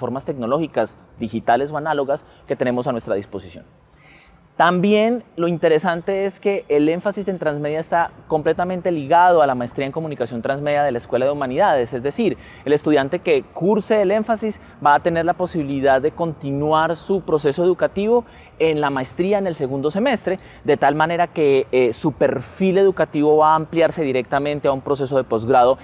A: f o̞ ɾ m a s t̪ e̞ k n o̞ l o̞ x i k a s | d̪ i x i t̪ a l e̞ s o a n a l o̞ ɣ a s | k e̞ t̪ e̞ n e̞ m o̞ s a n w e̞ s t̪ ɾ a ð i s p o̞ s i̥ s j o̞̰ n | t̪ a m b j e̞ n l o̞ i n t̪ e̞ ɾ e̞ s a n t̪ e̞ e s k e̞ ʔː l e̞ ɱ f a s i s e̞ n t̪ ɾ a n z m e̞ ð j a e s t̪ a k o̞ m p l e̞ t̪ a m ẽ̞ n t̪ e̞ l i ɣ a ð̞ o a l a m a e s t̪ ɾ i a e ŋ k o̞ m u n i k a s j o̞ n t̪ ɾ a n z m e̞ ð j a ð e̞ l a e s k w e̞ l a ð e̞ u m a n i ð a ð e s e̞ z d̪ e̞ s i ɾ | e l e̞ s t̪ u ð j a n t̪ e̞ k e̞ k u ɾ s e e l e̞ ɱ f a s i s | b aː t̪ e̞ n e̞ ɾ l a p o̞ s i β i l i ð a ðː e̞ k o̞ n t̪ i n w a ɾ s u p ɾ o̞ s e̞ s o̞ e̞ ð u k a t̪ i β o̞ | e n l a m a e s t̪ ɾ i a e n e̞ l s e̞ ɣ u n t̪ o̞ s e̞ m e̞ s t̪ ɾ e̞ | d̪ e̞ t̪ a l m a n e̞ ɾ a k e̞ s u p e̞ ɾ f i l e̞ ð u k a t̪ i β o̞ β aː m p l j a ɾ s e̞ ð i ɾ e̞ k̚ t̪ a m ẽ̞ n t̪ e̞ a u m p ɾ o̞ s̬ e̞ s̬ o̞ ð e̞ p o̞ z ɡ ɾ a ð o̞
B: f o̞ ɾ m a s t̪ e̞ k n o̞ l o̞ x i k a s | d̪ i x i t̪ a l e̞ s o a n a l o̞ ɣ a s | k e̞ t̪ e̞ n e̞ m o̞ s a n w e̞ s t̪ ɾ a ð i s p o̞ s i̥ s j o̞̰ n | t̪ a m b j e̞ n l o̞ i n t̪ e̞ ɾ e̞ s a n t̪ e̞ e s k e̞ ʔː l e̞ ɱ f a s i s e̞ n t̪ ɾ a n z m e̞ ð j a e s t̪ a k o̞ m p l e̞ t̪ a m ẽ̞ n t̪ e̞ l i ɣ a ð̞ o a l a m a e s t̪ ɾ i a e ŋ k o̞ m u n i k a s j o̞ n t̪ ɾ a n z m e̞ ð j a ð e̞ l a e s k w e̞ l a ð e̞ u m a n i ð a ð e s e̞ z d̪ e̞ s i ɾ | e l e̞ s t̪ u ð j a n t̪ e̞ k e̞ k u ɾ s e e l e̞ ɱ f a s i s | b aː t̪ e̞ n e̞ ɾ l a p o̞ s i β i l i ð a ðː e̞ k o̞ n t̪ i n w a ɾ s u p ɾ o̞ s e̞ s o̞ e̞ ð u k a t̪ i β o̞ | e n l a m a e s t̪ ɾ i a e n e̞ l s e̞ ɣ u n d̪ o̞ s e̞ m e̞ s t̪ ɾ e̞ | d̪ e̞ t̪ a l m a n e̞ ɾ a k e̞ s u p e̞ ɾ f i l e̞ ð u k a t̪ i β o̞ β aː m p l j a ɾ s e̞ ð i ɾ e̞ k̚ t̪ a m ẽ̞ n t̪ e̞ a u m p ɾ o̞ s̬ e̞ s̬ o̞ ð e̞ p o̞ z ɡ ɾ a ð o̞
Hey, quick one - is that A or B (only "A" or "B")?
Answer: B